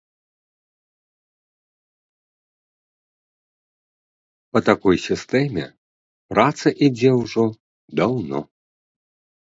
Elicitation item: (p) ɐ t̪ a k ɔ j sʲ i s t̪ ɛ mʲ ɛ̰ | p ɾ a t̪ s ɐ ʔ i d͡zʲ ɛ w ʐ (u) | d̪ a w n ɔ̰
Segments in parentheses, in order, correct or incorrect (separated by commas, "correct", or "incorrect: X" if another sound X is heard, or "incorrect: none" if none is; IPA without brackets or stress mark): correct, incorrect: ɔ